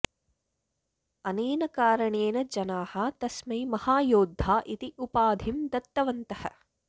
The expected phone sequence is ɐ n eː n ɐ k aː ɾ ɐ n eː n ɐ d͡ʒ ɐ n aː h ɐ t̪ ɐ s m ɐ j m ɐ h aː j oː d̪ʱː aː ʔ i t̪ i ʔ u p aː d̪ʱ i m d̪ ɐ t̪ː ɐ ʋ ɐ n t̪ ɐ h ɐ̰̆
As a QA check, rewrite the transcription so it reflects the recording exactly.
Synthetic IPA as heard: ɐ n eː n ɐ k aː ɾ ɐ ɳ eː n ɐ d͡ʒ ɐ n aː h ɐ t̪ ɐ s m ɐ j m ɐ h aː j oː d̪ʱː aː ʔ i t̪ i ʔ u p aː d̪ʱ i m d̪ ɐ t̪ː ɐ ʋ ɐ n t̪ ɐ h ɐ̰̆